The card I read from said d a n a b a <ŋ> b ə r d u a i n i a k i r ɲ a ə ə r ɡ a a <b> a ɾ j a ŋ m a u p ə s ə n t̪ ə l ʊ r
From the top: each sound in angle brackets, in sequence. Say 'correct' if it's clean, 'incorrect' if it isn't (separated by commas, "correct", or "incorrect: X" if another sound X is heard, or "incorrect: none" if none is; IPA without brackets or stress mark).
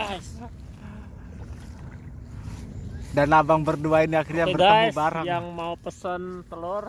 correct, correct